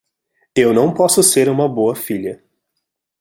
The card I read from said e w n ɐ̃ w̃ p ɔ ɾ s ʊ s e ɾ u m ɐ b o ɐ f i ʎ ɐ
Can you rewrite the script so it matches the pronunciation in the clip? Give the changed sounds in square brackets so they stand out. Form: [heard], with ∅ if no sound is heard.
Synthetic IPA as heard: e w n ɐ̃ w̃ p ɔ [∅] s ʊ s e ɾ [ũ] m ɐ b o ɐ f i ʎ ɐ